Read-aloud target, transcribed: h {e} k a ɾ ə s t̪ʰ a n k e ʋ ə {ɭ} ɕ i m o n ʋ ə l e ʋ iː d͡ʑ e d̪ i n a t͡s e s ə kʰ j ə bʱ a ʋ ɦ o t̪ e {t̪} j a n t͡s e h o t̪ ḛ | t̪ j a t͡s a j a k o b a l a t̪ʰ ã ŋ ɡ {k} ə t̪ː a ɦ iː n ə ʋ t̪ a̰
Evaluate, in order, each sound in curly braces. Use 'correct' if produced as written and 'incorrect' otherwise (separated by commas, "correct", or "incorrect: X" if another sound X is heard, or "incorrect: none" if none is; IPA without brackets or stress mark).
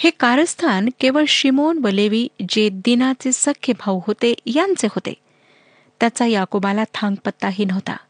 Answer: correct, correct, incorrect: none, incorrect: p